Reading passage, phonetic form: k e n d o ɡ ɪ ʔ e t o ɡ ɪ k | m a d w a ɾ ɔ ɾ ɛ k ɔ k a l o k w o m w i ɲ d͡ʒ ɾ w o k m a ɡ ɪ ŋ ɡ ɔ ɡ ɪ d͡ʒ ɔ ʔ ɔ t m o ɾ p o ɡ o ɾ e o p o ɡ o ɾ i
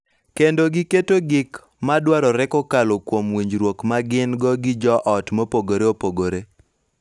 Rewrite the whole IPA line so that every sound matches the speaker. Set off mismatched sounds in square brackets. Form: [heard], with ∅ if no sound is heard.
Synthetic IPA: k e n d o ɡ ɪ [k] e t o ɡ ɪ k | m a d w a ɾ ɔ ɾ ɛ k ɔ k a l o k w o m w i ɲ d͡ʒ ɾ w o k m a ɡ ɪ [n] ɡ ɔ ɡ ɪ d͡ʒ ɔ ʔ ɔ t m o [∅] p o ɡ o ɾ e o p o ɡ o ɾ [e]